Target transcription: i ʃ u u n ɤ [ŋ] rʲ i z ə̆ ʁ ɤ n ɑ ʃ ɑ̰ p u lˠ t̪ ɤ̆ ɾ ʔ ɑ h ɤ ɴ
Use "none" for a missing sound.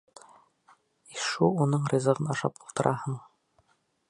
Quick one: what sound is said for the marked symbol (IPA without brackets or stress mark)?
ɴ